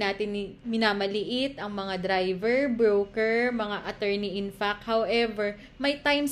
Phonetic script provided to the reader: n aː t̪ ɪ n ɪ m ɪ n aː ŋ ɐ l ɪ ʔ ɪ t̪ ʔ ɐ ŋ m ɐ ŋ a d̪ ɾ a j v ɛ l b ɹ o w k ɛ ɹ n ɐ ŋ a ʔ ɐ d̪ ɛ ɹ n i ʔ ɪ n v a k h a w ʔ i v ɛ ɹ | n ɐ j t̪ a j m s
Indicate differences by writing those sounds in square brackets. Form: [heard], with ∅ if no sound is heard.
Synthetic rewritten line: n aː t̪ ɪ n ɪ m ɪ n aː [m] ɐ l ɪ ʔ ɪ t̪ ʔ ɐ ŋ m ɐ ŋ a d̪ ɾ a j v ɛ [ɹ] b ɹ o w k ɛ ɹ [m] ɐ ŋ a ʔ ɐ [t̪] ɛ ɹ n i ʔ ɪ n [f] a k h a w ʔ [ɛ] v ɛ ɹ | [m] ɐ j t̪ a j m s